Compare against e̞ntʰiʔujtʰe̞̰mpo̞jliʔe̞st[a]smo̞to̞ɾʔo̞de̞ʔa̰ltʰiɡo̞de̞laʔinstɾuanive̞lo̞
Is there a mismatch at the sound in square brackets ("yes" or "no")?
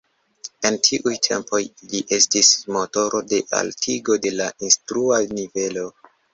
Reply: yes